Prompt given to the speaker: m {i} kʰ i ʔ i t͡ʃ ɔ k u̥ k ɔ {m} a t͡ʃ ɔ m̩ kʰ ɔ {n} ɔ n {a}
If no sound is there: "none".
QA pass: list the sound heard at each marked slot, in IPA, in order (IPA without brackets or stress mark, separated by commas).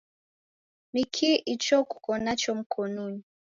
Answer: i, n, n, i